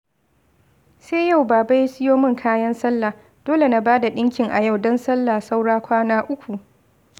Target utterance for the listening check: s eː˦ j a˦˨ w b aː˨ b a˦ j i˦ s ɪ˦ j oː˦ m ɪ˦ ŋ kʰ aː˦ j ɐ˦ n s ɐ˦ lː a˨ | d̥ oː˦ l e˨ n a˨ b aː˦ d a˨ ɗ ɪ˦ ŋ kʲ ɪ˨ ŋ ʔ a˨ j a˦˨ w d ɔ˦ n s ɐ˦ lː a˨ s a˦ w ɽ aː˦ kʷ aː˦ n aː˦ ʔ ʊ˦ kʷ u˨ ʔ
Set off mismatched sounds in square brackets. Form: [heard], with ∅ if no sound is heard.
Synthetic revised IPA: s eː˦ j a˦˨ w b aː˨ b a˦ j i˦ s ɪ˦ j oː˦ m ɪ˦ ŋ kʰ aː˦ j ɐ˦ n s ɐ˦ lː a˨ | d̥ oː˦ l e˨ n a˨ b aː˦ d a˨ ɗ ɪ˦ ŋ kʲ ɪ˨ ŋ ʔ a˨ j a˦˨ w d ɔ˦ n s ɐ˦ lː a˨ s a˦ w ɽ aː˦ kʷ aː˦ n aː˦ ʔ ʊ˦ kʷ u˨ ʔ